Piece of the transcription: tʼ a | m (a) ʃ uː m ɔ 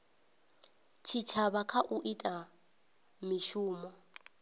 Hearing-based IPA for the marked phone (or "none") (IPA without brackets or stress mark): i